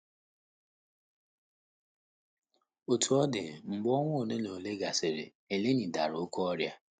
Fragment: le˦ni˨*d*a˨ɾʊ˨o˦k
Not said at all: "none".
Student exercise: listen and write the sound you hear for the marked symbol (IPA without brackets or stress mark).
d